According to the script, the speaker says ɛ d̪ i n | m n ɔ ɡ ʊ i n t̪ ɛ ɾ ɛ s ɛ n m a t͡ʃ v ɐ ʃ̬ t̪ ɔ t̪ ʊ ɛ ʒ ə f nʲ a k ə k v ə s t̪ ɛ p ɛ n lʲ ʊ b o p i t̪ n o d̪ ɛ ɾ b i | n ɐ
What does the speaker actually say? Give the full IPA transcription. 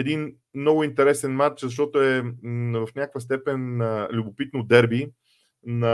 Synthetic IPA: ɛ d̪ i n | m n ɔ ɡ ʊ i n t̪ ɛ ɾ ɛ s ɛ n m a t͡ʃ z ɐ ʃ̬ t̪ ɔ t̪ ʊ ɛ v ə f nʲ a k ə k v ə s t̪ ɛ p ɛ n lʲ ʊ b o p i t̪ n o d̪ ɛ ɾ b i | n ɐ